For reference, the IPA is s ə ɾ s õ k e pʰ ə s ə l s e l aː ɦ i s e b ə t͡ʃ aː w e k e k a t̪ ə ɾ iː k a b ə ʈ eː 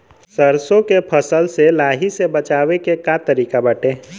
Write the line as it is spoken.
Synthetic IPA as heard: s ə ɾ s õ k e pʰ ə s ə l s e l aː ɦ i s e b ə t͡ʃ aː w e k e k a t̪ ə ɾ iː k a b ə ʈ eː

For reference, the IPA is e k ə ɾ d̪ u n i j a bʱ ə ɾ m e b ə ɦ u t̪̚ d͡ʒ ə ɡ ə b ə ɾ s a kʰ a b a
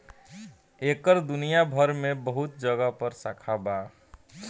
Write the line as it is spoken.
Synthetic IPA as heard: e k ə ɾ d̪ u n i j a bʱ ə ɾ m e b ə ɦ u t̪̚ d͡ʒ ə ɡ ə p ə ɾ s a kʰ a b a

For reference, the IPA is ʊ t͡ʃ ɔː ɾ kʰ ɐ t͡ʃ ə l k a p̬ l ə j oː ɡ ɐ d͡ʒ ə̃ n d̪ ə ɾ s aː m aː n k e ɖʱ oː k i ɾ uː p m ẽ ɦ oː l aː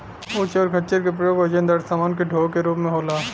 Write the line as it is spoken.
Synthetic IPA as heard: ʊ t͡ʃ ɔː ɾ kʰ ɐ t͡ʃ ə ɾ k e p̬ ɾ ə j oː ɡ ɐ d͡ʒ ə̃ n d̪ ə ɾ s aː m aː n k e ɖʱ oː k e ɾ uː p m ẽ ɦ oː l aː

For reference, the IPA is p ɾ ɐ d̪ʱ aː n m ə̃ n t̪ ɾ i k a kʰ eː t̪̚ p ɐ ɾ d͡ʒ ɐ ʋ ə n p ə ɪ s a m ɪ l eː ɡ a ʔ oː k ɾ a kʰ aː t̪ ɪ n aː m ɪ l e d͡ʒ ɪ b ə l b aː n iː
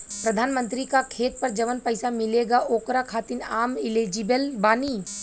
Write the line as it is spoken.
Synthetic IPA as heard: p ɾ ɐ d̪ʱ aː n m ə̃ n t̪ ɾ i k a kʰ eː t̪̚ p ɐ ɾ d͡ʒ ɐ ʋ ə n p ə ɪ s a m ɪ l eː ɡ a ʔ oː k ɾ a kʰ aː t̪ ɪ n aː m ɪ l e d͡ʒ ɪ b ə l b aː n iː

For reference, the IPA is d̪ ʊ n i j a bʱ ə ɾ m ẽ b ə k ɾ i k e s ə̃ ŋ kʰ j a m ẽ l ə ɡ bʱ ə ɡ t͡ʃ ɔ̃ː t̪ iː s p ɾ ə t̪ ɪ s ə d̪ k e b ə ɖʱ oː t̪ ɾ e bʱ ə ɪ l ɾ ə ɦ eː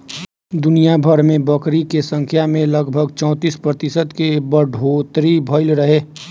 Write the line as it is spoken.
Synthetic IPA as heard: d̪ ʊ n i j a bʱ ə ɾ m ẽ b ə k ɾ i k e s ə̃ ŋ kʰ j a m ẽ l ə ɡ bʱ ə ɡ t͡ʃ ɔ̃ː t̪ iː s p ɾ ə t̪ ɪ s ə d̪ k e b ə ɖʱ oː t̪ ɾ i bʱ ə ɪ l ɾ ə ɦ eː

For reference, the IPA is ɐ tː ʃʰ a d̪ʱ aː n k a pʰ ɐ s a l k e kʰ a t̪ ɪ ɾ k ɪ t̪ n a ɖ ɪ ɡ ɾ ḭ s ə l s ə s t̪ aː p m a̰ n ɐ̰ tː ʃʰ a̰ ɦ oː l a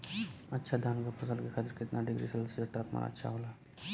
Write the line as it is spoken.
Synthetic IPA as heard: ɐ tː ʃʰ a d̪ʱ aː n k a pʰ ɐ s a l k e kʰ a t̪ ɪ ɾ k ɪ t̪ n a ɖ ɪ ɡ ɾ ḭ s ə l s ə s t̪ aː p m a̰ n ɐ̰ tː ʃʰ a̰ ɦ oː l a

